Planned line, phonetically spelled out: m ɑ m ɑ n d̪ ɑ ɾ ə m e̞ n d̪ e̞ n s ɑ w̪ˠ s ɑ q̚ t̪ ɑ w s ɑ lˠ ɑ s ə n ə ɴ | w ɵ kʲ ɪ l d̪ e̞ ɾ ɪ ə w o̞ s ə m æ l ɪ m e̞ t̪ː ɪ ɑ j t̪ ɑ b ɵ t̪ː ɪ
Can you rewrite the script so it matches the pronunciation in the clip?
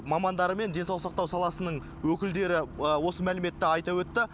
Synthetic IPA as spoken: m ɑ m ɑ n d̪ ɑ ɾ ə m e̞ n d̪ e̞ n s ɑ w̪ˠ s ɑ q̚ t̪ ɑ w s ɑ lˠ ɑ s ə n ə ɴ | w ɵ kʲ ɪ l d̪ e̞ ɾ ɪ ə w o̞ s ə m æ l ɪ m e̞ t̪ː ɪ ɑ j t̪ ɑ w ɵ t̪ː ɪ